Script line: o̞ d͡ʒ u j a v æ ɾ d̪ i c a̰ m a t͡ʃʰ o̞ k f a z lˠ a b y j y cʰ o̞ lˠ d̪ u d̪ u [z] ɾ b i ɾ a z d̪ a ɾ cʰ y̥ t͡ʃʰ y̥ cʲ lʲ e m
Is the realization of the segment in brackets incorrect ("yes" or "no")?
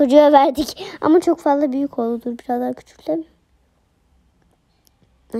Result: yes